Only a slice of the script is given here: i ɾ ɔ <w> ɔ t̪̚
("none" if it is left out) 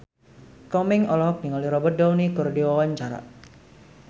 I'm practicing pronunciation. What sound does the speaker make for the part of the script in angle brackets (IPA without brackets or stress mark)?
b